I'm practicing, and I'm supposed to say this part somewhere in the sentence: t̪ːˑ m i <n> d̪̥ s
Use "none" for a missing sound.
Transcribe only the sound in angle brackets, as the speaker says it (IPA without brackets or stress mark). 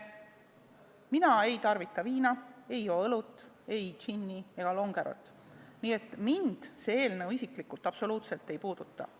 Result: n